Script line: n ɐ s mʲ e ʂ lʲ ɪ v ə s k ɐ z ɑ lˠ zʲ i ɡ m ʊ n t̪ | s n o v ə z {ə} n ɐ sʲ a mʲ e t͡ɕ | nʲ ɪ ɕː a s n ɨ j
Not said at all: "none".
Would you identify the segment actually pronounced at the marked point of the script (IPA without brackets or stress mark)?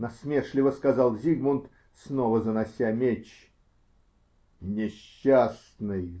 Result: ə